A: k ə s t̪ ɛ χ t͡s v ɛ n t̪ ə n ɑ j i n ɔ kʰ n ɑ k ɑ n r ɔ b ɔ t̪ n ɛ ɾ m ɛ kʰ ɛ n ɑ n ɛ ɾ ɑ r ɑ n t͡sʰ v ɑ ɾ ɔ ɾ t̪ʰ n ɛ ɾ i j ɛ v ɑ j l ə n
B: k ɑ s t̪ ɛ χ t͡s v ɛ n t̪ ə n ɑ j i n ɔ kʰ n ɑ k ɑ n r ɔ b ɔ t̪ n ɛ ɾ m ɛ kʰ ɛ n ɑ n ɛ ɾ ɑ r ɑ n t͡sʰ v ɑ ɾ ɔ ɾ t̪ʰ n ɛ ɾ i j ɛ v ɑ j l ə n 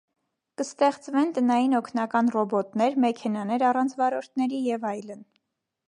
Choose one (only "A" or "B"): A